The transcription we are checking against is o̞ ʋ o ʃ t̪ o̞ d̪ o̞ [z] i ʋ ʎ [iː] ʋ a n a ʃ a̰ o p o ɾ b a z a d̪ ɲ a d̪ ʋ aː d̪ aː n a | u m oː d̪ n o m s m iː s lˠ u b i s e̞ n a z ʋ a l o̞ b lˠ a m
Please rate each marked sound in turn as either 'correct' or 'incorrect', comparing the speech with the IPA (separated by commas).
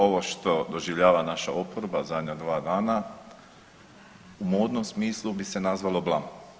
incorrect, incorrect